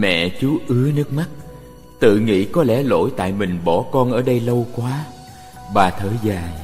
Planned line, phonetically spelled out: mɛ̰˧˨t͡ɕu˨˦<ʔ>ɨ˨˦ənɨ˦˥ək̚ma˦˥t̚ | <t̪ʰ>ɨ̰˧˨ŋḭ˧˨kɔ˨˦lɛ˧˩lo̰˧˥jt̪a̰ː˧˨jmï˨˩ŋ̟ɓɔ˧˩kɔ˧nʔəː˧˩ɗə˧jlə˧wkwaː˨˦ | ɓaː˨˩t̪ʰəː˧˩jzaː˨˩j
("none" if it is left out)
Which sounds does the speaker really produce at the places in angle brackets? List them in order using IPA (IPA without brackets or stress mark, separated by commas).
ʔ, t̪